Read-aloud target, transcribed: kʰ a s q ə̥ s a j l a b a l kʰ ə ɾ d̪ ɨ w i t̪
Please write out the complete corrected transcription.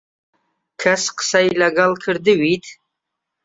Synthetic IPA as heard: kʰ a s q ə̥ s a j l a ɡ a l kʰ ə ɾ d̪ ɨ w i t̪

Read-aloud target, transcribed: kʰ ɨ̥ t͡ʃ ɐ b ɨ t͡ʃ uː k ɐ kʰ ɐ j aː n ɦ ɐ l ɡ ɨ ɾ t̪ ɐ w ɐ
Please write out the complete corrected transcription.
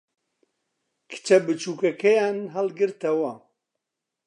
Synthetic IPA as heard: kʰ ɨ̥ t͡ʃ ɐ b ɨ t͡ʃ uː k ɐ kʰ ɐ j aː n ɦ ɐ l ɡ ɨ ɾ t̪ ɐ w ɐ

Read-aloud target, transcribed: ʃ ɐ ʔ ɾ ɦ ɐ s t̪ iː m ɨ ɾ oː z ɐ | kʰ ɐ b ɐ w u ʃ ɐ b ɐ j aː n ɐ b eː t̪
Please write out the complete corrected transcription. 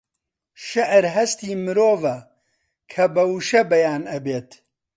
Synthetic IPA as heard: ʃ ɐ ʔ ɾ ɦ ɐ s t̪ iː m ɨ ɾ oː v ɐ | kʰ ɐ b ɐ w u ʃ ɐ b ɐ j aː n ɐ b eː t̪

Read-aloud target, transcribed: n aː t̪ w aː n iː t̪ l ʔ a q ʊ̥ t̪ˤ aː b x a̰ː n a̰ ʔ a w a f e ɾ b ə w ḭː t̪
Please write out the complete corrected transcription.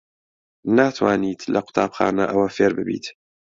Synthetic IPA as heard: n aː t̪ w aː n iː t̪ l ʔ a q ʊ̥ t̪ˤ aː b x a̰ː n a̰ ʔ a w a f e ɾ b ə b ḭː t̪

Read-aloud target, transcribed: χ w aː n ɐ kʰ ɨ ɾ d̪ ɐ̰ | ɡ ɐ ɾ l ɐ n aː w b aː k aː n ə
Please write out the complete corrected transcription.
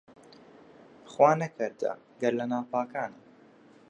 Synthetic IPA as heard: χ w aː n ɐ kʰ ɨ ɾ d̪ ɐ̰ | ɡ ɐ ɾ l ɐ n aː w p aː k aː n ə

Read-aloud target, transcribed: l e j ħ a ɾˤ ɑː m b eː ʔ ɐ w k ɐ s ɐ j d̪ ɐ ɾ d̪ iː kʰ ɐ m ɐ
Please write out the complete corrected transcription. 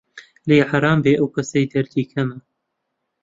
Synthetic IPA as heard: l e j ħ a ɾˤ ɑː m b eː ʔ ɐ w k ɐ s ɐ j d̪ ɐ ɾ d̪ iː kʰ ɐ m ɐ

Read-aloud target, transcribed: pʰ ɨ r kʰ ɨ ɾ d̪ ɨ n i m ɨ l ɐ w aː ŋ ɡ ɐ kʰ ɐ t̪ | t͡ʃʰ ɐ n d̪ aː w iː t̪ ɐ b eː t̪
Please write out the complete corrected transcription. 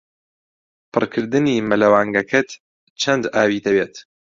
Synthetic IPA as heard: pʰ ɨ r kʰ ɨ ɾ d̪ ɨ n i m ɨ l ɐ w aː ŋ ɡ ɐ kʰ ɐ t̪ | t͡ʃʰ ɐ n d̪ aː w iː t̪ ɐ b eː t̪

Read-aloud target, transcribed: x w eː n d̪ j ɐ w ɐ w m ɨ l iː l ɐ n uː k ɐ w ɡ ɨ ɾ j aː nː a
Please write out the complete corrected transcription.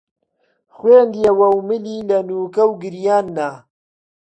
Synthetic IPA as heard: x w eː n d̪ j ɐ w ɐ w m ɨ l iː l ɐ n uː k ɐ w ɡ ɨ ɾ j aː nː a

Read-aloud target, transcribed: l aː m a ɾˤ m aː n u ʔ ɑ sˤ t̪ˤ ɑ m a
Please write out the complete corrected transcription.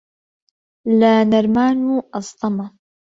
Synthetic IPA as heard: l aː n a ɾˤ m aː n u ʔ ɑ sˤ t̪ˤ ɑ m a

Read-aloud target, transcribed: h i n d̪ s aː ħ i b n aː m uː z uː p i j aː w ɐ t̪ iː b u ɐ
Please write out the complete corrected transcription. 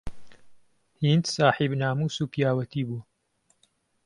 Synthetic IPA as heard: h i n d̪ s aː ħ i b n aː m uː s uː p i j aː w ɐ t̪ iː b u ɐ

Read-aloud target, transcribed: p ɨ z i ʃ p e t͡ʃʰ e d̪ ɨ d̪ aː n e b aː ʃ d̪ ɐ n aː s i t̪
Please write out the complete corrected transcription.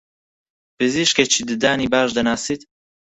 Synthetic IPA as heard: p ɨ z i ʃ k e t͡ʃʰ i d̪ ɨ d̪ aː n i b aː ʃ d̪ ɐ n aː s i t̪

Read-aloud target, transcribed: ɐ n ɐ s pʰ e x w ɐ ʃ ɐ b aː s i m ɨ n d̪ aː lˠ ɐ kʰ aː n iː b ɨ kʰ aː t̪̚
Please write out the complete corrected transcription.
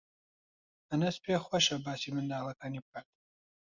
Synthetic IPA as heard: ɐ n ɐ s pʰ e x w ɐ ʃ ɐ b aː s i m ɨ n d̪ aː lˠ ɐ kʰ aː n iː b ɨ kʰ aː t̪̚

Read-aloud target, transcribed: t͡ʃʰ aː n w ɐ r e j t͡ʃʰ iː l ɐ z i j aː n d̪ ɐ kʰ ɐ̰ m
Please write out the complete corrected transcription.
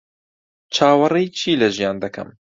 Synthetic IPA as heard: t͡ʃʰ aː w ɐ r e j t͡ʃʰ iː l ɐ ʒ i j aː n d̪ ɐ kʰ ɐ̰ m

